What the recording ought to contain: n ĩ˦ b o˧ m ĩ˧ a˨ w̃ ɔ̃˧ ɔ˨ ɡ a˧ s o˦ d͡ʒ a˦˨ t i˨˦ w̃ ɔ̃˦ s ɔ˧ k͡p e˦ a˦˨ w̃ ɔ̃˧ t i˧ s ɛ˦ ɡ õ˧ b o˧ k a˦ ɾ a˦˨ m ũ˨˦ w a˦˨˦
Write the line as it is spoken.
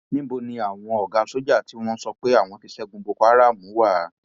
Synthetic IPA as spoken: n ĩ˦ b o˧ n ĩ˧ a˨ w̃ ɔ̃˧ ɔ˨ ɡ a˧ s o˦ d͡ʒ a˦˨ t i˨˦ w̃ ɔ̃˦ s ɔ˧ k͡p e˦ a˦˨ w̃ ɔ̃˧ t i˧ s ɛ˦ ɡ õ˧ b o˧ k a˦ ɾ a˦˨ m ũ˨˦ w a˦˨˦